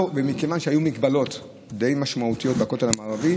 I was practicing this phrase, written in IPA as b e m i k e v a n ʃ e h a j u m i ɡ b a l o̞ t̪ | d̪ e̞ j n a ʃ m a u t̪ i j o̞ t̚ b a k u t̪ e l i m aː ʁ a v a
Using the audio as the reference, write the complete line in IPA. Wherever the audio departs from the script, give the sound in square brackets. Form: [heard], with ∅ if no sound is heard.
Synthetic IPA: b e m i k e v a n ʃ e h a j u m i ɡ b a l o̞ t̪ | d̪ e̞ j [m] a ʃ m a u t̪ i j o̞ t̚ b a k [o] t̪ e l [a] m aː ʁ a v [i]